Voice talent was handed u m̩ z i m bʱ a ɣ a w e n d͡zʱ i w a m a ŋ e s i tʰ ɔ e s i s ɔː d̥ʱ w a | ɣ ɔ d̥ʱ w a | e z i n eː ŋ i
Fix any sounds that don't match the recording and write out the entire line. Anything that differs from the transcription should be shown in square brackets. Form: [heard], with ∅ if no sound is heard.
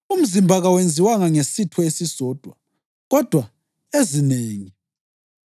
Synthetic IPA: u m̩ z i m bʱ a ɣ a w e n d͡zʱ i w a [ŋ] a ŋ e s i tʰ ɔ e s i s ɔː d̥ʱ w a | ɣ ɔ d̥ʱ w a | e z i n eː ŋ i